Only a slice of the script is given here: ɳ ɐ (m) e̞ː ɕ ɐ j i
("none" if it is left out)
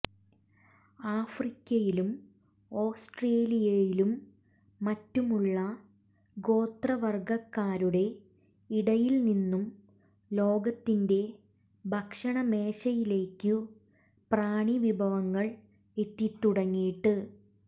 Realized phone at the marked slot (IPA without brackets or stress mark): m